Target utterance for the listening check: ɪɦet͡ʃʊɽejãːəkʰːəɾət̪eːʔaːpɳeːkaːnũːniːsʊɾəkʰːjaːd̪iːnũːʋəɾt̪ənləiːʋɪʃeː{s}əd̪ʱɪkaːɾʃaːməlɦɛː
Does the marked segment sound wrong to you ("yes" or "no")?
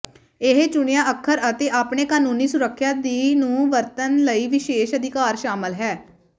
yes